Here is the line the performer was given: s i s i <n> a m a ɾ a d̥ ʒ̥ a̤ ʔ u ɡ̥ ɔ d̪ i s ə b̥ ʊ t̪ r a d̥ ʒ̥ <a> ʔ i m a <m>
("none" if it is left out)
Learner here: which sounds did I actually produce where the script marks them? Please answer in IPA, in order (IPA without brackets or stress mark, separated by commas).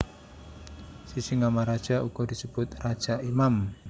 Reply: ŋ, a, m